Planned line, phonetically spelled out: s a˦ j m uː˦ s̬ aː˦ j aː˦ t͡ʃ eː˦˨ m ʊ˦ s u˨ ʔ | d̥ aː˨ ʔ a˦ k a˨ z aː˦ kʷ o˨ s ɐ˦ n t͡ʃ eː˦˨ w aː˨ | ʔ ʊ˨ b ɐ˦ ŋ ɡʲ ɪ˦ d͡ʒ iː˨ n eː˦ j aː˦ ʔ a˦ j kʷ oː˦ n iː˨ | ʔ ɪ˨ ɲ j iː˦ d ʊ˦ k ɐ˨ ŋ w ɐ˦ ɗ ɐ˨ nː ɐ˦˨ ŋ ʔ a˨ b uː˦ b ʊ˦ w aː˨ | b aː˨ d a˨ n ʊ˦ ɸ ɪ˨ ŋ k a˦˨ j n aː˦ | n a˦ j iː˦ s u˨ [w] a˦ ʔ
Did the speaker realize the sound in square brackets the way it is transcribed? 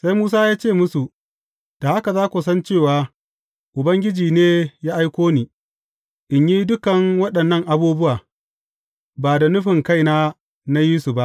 no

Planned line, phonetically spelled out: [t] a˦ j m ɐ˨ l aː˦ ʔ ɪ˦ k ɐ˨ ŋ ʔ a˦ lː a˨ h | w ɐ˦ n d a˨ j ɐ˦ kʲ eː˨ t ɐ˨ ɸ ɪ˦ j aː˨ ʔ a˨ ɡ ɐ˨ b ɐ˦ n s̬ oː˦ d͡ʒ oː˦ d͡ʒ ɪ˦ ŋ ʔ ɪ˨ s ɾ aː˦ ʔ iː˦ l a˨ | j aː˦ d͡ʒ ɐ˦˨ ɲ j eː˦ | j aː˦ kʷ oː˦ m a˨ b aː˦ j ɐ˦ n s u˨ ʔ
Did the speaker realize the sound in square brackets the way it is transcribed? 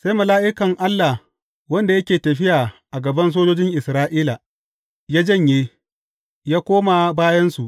no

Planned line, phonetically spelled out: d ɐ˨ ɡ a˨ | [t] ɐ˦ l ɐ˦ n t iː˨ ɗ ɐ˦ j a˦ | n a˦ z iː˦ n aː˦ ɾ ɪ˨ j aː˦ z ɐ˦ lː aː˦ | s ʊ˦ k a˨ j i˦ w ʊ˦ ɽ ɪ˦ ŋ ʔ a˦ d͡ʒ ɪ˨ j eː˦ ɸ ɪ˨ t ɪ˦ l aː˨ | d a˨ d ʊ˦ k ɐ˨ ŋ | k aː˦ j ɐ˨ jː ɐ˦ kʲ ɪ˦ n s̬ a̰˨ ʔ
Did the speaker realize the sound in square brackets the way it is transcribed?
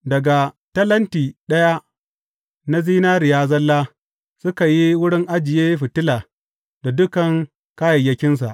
yes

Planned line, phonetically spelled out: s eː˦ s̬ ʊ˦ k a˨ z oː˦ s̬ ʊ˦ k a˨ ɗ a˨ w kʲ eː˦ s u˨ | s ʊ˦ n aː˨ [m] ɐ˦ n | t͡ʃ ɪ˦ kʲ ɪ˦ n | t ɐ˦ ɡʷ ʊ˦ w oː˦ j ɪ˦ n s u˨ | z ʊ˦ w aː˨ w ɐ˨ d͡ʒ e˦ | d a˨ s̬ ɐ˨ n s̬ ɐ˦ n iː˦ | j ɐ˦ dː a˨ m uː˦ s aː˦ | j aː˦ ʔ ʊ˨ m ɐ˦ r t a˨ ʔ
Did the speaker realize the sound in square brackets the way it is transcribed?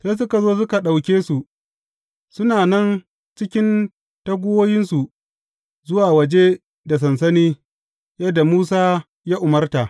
no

